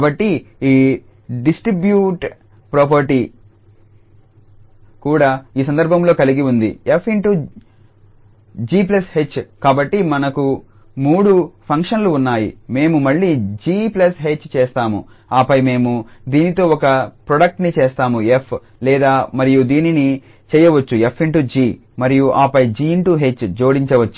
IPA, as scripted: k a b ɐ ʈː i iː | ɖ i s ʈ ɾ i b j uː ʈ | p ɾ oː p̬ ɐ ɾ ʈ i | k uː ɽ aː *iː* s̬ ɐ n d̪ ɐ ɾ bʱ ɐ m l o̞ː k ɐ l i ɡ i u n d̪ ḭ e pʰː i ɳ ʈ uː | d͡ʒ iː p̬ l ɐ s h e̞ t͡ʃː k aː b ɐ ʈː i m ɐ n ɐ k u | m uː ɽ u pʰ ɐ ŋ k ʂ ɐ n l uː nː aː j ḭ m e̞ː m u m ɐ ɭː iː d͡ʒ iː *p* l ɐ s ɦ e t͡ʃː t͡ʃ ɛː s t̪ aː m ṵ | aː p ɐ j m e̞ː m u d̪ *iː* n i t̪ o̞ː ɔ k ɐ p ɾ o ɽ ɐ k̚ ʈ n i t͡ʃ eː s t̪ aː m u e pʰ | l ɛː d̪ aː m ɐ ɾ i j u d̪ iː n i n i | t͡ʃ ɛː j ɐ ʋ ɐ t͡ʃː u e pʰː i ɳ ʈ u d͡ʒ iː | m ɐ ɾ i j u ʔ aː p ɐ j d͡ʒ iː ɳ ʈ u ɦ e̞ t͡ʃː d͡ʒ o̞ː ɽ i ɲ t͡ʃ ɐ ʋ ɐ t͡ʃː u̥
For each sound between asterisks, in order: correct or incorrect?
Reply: correct, correct, correct

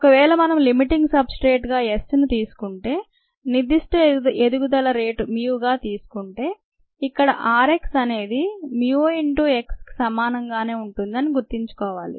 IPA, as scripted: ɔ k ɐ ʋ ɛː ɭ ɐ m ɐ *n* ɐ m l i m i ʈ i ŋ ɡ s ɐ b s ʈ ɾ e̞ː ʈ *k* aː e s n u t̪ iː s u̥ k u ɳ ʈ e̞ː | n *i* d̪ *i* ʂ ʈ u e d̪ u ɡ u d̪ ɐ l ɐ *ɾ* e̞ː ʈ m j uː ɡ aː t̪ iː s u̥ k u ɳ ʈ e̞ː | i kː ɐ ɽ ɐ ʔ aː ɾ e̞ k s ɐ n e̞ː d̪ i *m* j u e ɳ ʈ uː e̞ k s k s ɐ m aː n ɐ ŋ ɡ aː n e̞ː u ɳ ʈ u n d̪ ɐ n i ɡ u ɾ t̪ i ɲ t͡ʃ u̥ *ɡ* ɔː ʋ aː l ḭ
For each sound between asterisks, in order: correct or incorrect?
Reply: correct, incorrect, correct, correct, correct, correct, incorrect

